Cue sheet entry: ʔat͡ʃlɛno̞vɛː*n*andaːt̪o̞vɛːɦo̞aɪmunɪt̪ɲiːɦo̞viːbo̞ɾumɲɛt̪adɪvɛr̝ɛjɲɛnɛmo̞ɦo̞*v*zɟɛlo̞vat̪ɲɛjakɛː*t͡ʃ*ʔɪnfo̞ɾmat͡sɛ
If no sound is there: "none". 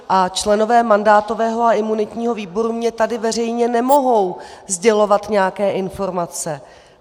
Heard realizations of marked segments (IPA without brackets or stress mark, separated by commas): m, w, none